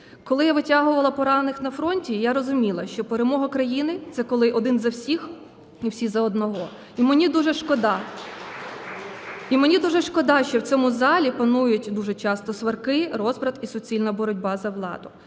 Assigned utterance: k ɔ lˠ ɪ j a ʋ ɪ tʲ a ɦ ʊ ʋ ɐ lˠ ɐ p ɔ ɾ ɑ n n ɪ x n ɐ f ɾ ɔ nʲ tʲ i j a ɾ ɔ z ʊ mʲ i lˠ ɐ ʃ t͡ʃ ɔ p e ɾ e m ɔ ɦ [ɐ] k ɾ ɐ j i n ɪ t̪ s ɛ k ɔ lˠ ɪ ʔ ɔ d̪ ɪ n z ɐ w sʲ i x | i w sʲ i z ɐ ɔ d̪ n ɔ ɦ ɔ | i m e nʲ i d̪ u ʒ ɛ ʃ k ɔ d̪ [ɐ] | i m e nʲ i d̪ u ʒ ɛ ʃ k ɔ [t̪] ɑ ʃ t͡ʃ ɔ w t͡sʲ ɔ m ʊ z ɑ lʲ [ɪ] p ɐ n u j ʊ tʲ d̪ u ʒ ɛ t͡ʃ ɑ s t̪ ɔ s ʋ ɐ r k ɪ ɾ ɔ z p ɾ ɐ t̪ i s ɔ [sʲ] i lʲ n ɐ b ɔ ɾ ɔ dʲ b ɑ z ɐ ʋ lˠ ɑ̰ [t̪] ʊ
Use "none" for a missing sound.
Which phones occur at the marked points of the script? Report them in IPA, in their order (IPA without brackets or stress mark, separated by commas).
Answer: ɐ, ɑ, d̪, i, t͡sʲ, d̪